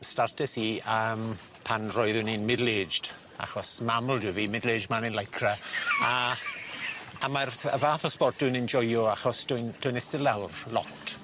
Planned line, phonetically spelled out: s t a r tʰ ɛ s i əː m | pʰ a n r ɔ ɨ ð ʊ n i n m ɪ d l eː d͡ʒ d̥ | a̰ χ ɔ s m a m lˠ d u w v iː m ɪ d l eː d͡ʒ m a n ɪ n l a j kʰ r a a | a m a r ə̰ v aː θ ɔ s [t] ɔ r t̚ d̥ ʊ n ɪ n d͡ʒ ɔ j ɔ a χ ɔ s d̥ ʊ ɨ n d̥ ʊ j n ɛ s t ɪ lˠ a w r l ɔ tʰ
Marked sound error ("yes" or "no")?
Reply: yes